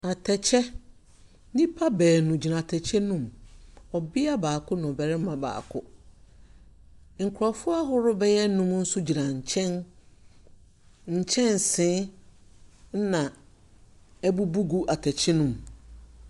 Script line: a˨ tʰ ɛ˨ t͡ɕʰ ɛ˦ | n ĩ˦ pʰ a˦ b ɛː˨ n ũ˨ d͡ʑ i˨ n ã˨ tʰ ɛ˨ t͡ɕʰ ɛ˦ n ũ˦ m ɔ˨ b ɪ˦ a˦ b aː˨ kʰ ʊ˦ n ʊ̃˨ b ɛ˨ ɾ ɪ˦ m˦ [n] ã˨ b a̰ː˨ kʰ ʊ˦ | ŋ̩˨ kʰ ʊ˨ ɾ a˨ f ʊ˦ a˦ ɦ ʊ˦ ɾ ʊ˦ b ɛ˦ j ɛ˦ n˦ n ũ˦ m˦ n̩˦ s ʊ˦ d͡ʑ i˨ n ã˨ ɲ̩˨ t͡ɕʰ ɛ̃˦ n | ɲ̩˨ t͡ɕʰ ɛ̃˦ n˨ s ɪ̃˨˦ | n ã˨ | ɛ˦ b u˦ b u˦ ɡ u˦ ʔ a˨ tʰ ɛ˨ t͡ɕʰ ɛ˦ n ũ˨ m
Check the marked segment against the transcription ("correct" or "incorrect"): incorrect